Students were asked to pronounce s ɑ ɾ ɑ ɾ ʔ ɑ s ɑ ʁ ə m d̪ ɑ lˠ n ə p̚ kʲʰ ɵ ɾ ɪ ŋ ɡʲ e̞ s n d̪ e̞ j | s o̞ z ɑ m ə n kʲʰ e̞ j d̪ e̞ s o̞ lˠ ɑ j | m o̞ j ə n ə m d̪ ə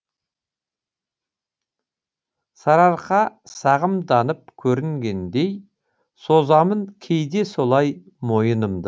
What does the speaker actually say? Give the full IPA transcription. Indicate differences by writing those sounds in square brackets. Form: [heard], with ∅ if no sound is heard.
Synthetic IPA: s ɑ ɾ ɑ ɾ [q] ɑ s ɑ ʁ ə m d̪ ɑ [∅] n ə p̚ kʲʰ ɵ ɾ ɪ ŋ ɡʲ e̞ [∅] n d̪ e̞ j | s o̞ z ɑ m ə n kʲʰ e̞ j d̪ e̞ s o̞ lˠ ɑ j | m o̞ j ə n ə m d̪ ə

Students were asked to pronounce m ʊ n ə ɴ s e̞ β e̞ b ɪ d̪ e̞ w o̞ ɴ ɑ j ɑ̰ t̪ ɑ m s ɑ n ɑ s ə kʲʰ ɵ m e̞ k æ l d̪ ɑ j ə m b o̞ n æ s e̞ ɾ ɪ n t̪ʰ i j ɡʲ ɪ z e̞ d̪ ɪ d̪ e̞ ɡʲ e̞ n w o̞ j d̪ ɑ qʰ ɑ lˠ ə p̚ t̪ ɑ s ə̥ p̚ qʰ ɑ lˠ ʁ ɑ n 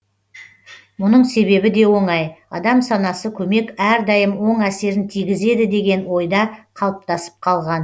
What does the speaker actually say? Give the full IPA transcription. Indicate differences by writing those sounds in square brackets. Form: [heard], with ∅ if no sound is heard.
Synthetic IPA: m ʊ n ə ɴ s e̞ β e̞ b ɪ d̪ e̞ w o̞ ɴ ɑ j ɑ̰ [d̪] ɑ m s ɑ n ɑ s ə kʲʰ ɵ m e̞ k æ [ɾ] d̪ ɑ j ə m [w] o̞ [ɴ] æ s e̞ ɾ ɪ n t̪ʰ i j ɡʲ ɪ z e̞ d̪ ɪ d̪ e̞ ɡʲ e̞ n w o̞ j d̪ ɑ qʰ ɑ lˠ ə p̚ t̪ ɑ s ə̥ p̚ qʰ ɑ lˠ ʁ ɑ n

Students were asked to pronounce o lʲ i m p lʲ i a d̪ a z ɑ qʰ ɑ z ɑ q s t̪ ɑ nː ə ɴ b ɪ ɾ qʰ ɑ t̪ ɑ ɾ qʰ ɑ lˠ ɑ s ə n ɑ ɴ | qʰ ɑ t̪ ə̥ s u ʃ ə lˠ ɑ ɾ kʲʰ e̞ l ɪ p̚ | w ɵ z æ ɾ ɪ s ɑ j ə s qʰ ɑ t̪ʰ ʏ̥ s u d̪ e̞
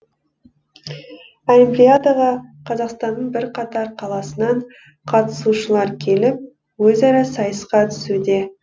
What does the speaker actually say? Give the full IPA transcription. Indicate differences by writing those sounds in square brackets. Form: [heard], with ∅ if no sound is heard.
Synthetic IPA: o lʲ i m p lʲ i a d̪ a [ʁ] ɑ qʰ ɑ z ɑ q s t̪ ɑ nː ə ɴ b ɪ ɾ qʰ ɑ t̪ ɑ ɾ qʰ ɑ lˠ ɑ s ə n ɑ ɴ | qʰ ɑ t̪ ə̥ s u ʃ ə lˠ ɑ ɾ kʲʰ e̞ l ɪ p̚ | w ɵ z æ ɾ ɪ s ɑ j ə s [q] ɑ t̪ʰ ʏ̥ s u d̪ e̞

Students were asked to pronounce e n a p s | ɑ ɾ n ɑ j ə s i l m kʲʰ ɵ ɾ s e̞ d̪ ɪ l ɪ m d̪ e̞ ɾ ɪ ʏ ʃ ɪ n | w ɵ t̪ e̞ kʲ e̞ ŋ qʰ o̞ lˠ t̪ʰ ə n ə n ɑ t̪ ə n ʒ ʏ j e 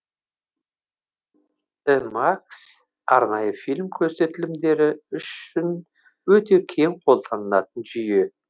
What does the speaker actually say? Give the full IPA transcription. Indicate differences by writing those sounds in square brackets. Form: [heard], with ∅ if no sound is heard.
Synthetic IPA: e [m] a [k] s | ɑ ɾ n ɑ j ə [f] i l m kʲʰ ɵ ɾ s e̞ [t̪] ɪ l ɪ m d̪ e̞ ɾ ɪ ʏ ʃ ɪ n | w ɵ t̪ e̞ [kʲʰ] e̞ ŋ qʰ o̞ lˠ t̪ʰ [ɑ] n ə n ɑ t̪ ə n ʒ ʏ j e

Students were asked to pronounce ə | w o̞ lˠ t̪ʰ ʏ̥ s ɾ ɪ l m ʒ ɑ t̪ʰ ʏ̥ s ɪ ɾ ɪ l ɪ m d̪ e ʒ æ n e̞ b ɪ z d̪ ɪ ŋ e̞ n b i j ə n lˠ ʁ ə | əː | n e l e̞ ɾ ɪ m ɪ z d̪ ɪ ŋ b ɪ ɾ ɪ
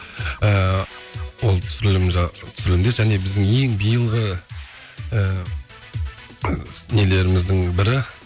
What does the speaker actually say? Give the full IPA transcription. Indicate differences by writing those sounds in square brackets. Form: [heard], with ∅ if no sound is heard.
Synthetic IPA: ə | w o̞ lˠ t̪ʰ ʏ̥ s ɾ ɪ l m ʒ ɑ t̪ʰ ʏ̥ s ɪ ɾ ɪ l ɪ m d̪ e ʒ æ n e̞ b ɪ z d̪ ɪ ŋ e̞ [ŋ] b i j ə [∅] lˠ ʁ ə | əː | n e l e̞ ɾ ɪ m ɪ z d̪ ɪ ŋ b ɪ ɾ ɪ

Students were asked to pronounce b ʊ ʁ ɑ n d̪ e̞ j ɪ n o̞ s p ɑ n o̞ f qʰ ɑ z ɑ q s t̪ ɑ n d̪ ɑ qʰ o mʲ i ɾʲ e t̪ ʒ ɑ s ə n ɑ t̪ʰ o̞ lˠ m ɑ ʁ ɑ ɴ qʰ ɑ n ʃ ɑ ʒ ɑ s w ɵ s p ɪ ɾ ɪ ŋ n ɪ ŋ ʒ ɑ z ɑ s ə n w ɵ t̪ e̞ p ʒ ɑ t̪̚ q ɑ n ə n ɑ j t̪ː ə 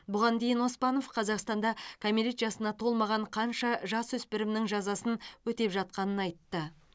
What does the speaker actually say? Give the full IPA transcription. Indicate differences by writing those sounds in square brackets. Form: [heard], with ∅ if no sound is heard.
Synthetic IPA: b ʊ ʁ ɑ n d̪ e̞ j ɪ n o̞ s p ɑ n o̞ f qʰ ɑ z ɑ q s t̪ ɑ n d̪ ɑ [kʰ] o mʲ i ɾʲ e t̪ ʒ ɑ s ə n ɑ t̪ʰ o̞ lˠ m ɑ ʁ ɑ ɴ qʰ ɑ n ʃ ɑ ʒ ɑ s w ɵ s p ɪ ɾ ɪ [m] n ɪ ŋ ʒ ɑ z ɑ s ə n w ɵ t̪ e̞ p ʒ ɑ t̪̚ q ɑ n ə n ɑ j t̪ː ə

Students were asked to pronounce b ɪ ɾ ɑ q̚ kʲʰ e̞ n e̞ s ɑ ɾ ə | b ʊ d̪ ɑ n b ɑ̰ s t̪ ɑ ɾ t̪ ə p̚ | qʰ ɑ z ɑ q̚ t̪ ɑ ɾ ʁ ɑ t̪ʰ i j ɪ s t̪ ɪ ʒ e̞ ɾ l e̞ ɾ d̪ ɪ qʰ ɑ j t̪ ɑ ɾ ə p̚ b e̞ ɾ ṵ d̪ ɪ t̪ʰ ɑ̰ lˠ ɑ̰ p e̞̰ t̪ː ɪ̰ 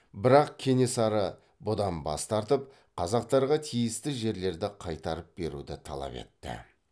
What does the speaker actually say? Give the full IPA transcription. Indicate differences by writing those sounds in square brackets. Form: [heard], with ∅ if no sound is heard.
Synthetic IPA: b ɪ ɾ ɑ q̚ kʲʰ e̞ n e̞ s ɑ ɾ ə | b ʊ d̪ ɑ n b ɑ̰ s t̪ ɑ ɾ t̪ ə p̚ | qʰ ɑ z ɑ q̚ t̪ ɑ ɾ ʁ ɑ t̪ʰ i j ɪ s t̪ ɪ ʒ e̞ ɾ l e̞ ɾ d̪ ɪ qʰ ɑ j t̪ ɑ ɾ ə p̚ b e̞ ɾ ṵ d̪ ɪ t̪ʰ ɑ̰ lˠ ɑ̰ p e̞̰ t̪ː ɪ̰

